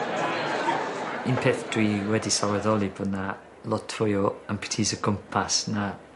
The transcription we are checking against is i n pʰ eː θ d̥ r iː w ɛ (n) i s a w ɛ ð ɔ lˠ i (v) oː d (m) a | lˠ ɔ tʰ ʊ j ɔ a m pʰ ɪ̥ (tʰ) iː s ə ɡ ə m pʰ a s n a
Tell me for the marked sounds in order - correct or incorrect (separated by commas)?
incorrect, incorrect, incorrect, correct